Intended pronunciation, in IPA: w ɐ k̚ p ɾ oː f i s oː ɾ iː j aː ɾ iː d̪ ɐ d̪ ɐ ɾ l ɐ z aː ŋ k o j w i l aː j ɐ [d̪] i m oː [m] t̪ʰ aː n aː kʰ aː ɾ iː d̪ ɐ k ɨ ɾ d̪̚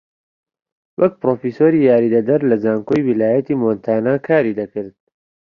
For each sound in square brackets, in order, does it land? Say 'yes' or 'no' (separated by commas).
no, no